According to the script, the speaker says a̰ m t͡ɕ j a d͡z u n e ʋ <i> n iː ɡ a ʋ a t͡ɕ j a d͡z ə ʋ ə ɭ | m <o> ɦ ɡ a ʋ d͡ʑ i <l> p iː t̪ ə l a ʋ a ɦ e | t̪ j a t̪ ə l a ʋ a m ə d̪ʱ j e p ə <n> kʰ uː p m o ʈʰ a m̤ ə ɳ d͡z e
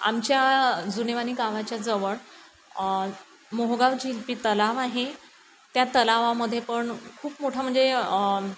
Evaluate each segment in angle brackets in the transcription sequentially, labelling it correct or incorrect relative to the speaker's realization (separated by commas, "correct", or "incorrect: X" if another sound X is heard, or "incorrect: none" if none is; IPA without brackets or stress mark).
incorrect: a, correct, correct, incorrect: ɳ